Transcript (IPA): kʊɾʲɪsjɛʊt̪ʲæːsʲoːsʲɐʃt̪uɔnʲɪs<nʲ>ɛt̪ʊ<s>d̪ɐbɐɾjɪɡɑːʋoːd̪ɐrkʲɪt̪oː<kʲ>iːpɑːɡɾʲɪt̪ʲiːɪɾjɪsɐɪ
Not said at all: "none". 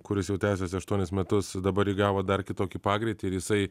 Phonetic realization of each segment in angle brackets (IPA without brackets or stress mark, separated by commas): mʲ, s, kʲ